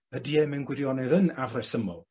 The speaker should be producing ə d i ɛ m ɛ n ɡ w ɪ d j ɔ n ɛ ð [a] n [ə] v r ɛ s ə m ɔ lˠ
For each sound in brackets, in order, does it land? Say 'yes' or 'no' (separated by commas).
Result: no, no